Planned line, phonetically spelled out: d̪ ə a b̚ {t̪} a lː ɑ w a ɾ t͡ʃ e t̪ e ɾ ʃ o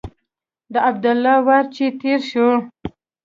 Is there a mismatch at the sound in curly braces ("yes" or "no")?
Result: yes